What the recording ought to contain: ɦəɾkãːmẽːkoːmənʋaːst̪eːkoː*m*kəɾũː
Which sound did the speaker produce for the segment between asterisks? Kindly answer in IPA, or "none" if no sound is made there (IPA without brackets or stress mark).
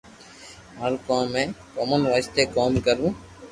m